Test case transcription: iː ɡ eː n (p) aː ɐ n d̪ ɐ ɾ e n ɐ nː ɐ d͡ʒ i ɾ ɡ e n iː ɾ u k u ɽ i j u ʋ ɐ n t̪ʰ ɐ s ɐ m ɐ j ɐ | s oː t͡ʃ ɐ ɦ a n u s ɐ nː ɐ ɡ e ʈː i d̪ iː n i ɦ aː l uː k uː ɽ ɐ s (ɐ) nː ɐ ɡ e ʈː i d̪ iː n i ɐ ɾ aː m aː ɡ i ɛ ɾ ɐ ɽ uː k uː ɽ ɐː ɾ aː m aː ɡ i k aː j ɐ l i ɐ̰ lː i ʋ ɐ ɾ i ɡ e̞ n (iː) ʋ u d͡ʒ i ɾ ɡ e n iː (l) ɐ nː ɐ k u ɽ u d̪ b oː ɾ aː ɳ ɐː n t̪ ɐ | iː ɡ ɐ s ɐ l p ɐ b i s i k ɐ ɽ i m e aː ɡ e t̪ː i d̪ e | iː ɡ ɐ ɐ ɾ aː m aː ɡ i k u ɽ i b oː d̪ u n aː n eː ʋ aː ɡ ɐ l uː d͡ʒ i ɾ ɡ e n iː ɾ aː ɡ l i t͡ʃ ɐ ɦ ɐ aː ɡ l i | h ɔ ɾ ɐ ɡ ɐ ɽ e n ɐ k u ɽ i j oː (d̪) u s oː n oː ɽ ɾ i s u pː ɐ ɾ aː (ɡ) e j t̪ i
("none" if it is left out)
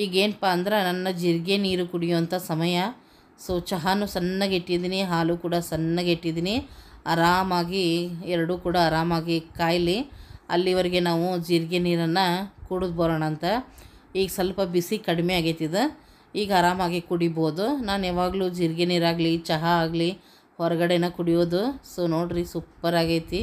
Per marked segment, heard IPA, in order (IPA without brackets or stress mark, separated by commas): p, ɐ, aː, ɾ, d̪, ɡ